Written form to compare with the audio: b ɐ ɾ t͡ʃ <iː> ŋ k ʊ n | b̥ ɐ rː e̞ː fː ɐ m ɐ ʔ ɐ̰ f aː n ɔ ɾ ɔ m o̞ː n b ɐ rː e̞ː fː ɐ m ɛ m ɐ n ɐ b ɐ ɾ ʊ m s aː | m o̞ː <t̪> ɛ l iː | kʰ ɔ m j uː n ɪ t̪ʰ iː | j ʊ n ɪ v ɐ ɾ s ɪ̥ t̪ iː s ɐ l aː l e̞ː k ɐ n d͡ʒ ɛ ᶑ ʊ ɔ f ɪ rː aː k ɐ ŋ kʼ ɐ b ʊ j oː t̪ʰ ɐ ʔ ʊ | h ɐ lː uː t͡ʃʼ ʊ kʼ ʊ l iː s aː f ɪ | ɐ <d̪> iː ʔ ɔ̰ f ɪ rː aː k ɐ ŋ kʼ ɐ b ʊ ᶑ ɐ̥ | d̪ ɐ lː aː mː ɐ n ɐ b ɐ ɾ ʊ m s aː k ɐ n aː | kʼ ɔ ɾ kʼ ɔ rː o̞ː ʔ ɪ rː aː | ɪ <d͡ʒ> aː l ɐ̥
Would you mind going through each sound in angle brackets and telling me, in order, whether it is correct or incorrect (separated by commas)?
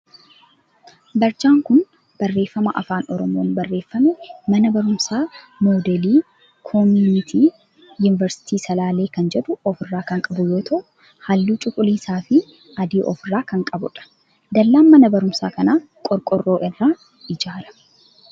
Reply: incorrect, incorrect, correct, correct